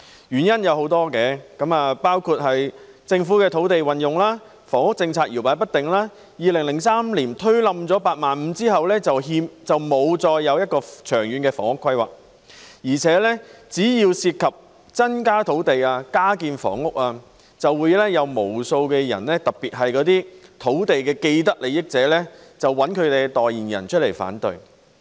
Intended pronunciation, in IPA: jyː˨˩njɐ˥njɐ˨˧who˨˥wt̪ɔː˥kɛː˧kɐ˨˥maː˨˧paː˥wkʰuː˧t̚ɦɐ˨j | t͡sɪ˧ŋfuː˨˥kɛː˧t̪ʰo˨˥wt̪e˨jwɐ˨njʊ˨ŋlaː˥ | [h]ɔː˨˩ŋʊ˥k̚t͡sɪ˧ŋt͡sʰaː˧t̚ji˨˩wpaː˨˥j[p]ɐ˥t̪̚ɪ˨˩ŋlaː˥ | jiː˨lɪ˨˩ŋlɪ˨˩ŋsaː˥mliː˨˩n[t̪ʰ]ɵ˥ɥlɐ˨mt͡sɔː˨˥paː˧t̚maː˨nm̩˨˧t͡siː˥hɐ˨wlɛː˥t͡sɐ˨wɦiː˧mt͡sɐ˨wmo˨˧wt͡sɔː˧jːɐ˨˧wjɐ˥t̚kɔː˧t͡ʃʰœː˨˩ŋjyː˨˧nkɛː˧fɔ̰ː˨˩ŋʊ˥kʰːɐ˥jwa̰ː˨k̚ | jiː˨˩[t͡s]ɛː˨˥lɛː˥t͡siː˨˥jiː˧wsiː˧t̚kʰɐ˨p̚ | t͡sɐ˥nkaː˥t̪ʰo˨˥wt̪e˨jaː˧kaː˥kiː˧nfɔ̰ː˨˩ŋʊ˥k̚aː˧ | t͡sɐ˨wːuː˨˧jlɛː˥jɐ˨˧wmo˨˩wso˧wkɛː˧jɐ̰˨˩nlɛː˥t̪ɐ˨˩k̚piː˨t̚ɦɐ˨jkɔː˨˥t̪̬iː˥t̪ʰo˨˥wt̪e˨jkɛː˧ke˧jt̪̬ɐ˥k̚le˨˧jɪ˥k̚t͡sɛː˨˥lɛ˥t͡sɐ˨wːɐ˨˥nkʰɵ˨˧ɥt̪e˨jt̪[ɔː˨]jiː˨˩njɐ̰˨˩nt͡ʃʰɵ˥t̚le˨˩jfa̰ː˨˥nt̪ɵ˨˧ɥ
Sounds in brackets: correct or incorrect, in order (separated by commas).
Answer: incorrect, correct, correct, incorrect, correct